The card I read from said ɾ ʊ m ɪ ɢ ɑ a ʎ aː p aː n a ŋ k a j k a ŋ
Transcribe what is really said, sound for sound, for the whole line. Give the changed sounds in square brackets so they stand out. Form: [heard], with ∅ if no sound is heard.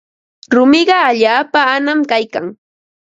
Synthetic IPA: ɾ ʊ m ɪ ɢ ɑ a ʎ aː p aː n a [m] k a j k a ŋ